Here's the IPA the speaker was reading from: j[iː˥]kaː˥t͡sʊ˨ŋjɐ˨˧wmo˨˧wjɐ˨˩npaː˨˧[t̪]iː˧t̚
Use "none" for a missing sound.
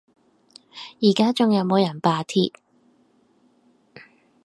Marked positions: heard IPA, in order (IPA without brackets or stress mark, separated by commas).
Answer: iː˨˩, t̪ʰ